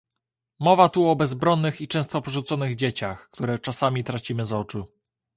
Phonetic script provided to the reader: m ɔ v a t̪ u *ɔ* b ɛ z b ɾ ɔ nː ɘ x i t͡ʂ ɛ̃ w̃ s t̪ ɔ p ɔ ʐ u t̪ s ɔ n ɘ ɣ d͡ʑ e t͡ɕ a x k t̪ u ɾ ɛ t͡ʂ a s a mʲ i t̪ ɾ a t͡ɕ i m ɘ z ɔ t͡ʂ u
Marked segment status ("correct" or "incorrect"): correct